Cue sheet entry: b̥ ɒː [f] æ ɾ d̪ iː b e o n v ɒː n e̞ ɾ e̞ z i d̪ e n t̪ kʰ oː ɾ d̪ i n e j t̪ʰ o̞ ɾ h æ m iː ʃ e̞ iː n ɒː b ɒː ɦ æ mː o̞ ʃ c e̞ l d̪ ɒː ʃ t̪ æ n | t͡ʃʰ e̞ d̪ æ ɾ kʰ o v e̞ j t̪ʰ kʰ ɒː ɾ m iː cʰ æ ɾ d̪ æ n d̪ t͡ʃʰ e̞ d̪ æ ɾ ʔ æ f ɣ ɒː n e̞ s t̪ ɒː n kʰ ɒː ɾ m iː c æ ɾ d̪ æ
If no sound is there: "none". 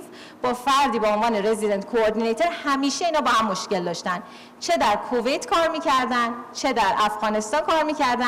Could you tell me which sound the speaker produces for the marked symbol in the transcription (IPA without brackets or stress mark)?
f